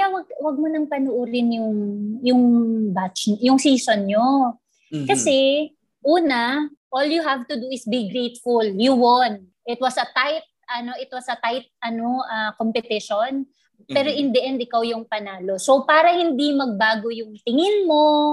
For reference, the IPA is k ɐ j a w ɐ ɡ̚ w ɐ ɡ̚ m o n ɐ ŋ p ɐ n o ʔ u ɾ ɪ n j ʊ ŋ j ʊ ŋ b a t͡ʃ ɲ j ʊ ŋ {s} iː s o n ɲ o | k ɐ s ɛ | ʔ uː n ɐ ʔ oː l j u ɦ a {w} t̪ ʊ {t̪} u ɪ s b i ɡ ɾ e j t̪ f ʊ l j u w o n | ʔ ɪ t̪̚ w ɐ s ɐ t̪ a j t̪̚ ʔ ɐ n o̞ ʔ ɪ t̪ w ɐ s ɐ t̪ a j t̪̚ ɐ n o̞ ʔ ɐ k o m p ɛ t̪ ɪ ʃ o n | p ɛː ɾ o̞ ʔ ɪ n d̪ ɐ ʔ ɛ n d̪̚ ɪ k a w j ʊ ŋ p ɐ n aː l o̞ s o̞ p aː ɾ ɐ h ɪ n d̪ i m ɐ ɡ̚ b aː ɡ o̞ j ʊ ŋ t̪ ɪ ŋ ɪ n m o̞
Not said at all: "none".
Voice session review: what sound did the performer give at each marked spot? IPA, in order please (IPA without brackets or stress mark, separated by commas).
s, v, d̪